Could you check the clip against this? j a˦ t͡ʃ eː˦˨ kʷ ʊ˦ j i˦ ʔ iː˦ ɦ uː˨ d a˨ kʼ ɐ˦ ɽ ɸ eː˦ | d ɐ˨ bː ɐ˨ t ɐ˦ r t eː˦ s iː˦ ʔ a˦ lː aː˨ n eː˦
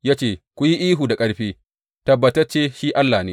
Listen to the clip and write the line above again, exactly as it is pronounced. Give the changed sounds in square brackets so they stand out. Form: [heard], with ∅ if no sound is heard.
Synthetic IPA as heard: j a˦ t͡ʃ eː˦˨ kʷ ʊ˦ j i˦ ʔ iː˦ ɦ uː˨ d a˨ kʼ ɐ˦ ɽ ɸ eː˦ | [t] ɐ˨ bː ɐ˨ t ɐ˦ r [t͡ʃ] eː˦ [ʃ] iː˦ ʔ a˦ lː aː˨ n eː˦